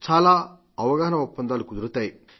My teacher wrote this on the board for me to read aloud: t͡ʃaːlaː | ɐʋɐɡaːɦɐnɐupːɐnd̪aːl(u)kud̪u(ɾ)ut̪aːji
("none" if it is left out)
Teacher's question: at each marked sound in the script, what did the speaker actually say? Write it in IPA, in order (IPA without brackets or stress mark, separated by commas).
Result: u, ɾ